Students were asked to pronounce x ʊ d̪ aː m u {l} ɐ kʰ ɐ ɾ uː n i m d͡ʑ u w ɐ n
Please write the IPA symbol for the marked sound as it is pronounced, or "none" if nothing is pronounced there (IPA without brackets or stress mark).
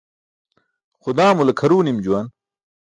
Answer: l